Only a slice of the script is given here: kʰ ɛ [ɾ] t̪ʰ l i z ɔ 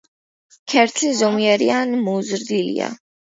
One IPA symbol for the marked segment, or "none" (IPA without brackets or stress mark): ɾ